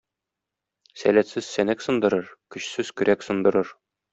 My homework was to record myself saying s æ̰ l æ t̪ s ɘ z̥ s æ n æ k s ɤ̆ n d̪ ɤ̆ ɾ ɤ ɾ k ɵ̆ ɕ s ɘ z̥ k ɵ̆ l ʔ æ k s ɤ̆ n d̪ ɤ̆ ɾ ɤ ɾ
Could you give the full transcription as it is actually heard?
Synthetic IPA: s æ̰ l æ t̪ s ɘ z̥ s æ n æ k s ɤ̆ n d̪ ɤ̆ ɾ ɤ ɾ k ɵ̆ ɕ s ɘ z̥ k ɵ̆ ɾ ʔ æ k s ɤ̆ n d̪ ɤ̆ ɾ ɤ ɾ